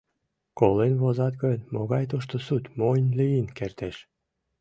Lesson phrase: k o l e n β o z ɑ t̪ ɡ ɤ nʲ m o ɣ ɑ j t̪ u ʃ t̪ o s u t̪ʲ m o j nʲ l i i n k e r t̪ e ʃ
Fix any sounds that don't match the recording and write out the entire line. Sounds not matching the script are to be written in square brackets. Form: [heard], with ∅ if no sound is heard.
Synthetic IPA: k o l e n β o z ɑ t̪ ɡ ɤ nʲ m o ɣ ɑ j t̪ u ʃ t̪ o s u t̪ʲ m o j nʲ l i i n k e r t̪ e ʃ